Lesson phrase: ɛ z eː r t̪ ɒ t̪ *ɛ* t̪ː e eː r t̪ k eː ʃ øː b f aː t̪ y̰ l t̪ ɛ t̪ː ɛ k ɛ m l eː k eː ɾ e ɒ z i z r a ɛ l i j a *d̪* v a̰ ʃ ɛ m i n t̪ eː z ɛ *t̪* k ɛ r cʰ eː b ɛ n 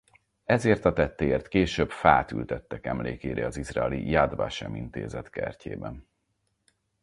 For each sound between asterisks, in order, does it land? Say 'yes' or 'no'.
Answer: yes, yes, yes

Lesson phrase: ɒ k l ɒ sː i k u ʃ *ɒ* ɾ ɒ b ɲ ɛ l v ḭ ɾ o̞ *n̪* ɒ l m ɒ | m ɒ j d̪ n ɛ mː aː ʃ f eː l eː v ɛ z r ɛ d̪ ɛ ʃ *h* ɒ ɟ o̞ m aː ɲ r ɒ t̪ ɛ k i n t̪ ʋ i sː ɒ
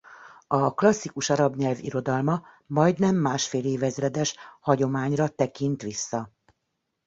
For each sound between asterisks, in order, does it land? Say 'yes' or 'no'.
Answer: yes, no, yes

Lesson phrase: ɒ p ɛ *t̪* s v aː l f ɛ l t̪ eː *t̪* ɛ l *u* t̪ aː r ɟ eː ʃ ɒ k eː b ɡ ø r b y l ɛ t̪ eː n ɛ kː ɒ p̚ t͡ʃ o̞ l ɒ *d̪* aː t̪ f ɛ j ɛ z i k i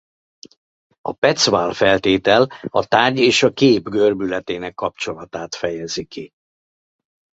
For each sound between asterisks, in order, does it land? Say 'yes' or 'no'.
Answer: yes, yes, no, no

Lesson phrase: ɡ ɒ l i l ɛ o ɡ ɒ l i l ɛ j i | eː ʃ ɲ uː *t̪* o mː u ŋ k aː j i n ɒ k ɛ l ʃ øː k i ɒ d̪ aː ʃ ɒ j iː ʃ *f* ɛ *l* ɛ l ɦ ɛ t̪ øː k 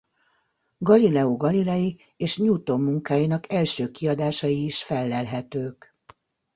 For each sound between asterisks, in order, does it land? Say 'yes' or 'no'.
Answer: yes, yes, no

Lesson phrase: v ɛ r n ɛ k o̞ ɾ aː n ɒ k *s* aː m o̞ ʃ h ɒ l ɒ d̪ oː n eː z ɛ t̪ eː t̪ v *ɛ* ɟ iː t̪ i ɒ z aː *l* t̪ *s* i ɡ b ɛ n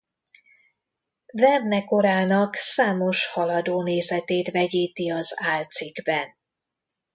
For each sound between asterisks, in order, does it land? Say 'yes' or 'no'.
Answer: yes, yes, yes, yes

